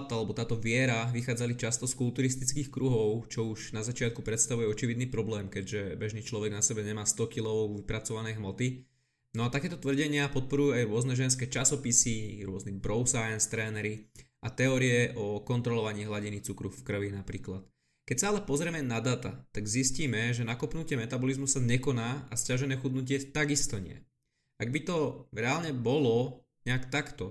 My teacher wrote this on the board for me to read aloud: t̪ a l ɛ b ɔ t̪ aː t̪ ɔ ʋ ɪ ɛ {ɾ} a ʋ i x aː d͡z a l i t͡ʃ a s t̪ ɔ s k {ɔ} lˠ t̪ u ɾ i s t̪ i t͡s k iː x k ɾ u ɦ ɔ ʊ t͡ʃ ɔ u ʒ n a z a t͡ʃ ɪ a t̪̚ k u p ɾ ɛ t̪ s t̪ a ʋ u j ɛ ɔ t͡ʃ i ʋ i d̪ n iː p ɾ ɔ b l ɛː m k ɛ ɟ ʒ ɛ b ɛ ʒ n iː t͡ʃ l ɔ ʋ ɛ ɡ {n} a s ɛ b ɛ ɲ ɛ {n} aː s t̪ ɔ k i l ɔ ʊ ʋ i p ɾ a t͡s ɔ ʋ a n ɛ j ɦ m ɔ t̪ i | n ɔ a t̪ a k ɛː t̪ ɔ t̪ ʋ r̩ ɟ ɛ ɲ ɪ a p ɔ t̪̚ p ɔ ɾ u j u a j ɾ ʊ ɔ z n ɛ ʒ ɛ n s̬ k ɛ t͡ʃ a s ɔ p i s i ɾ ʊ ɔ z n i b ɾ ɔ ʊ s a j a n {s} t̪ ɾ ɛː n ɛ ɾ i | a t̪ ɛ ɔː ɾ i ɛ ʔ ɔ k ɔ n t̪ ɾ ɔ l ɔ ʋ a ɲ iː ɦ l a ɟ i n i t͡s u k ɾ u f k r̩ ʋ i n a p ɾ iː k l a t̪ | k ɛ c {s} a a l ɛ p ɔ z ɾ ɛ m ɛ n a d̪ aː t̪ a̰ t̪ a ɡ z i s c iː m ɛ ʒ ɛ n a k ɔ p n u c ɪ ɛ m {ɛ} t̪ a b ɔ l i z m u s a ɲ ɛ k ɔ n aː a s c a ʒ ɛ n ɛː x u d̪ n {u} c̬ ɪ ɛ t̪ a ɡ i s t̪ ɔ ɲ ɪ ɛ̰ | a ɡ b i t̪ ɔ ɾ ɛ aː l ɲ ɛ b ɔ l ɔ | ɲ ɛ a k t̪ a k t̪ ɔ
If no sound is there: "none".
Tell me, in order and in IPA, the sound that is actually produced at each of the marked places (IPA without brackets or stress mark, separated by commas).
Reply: ɾ, u, n, m, s, s, ɛ, u